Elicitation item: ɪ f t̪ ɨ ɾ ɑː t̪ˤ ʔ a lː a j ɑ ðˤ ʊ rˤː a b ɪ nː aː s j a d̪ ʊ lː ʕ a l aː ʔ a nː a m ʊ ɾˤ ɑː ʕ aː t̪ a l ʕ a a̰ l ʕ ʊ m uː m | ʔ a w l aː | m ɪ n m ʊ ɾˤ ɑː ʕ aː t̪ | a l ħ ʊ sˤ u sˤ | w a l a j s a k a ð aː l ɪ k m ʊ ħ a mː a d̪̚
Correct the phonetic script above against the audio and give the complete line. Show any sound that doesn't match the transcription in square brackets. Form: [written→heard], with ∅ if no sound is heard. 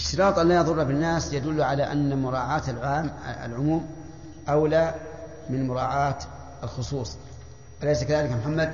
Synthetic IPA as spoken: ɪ [f→ʃ] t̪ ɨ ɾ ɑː t̪ˤ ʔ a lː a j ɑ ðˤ ʊ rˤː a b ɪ nː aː s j a d̪ ʊ lː ʕ a l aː ʔ a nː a m ʊ ɾˤ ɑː ʕ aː t̪ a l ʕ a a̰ l ʕ ʊ m uː m | ʔ a w l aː | m ɪ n m ʊ ɾˤ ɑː ʕ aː t̪ | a l [ħ→x] ʊ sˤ [u→uː] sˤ | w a l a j s a k a ð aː l ɪ k m ʊ ħ a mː a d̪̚